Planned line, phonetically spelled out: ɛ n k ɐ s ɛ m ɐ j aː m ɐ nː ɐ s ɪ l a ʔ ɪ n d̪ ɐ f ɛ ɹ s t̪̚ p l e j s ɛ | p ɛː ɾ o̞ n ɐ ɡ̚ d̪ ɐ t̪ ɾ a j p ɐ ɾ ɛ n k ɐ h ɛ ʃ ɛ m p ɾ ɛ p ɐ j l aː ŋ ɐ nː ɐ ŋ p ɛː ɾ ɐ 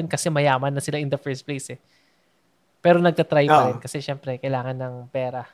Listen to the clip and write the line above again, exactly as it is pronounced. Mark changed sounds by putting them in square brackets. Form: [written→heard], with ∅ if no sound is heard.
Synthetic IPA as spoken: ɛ n k ɐ s ɛ m ɐ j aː m ɐ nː ɐ s ɪ l a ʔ ɪ n d̪ ɐ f ɛ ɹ s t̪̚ p l e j s ɛ | p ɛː ɾ o̞ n ɐ ɡ̚ [d̪→t̪] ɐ t̪ ɾ a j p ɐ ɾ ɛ n k ɐ [h→s] ɛ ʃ ɛ m p ɾ ɛ [p→k] ɐ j l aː ŋ ɐ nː ɐ ŋ p ɛː ɾ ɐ